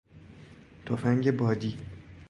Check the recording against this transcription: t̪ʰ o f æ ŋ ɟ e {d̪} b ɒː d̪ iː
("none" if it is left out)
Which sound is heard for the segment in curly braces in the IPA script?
none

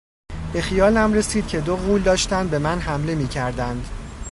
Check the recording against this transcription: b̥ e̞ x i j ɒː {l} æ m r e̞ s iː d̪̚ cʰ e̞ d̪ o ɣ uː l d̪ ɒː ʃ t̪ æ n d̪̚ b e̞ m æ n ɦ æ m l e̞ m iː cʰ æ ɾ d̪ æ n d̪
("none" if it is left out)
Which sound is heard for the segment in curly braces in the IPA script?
l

